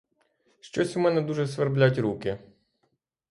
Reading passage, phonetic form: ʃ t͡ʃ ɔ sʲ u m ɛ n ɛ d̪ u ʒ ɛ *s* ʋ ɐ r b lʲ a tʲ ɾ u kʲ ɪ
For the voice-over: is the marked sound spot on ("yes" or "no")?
yes